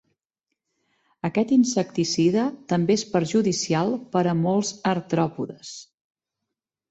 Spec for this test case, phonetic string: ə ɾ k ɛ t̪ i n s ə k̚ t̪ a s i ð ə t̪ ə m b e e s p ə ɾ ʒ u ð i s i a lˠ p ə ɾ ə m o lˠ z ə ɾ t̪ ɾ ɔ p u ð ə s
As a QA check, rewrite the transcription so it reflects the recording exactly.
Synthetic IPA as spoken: ə k ɛ t̪ i n s ə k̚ t̪ i s i ð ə t̪ ə m b e e s p ə ɾ ʒ u ð i s i a lˠ p ə ɾ ə m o lˠ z ə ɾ t̪ ɾ ɔ p u ð ə s